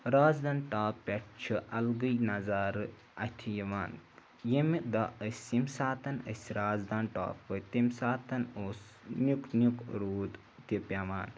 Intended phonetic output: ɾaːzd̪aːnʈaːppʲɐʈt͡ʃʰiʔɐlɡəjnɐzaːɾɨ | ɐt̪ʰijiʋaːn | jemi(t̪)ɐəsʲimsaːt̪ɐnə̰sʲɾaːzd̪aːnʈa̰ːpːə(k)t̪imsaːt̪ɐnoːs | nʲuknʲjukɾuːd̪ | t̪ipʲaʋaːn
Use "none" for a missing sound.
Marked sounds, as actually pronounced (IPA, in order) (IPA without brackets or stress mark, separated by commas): d̪, none